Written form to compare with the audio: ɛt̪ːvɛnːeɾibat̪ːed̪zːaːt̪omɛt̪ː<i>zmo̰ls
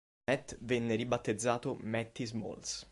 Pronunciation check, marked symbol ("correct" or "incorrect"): correct